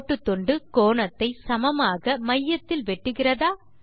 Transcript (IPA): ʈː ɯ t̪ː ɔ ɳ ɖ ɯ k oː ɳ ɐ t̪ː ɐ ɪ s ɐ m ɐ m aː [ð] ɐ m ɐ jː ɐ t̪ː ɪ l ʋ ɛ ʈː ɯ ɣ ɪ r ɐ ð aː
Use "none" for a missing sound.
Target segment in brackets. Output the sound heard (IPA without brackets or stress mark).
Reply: ɣ